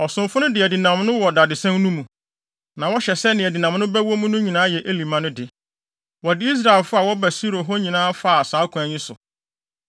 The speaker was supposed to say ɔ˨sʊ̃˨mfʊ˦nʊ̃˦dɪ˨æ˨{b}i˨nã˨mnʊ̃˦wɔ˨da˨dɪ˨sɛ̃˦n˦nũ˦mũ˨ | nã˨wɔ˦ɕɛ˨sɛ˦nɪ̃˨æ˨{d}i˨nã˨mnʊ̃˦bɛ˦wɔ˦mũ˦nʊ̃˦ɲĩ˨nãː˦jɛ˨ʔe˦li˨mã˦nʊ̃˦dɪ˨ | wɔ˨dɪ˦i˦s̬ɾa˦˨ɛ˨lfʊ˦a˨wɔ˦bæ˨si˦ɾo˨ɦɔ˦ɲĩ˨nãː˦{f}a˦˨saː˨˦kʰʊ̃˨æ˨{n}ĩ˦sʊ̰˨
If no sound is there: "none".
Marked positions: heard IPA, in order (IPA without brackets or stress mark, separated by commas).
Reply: d, d, f, ɲ